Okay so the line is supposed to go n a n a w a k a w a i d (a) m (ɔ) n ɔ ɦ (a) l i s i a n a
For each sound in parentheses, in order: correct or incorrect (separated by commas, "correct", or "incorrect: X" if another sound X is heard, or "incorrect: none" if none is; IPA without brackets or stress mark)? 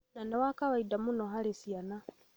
correct, incorrect: u, correct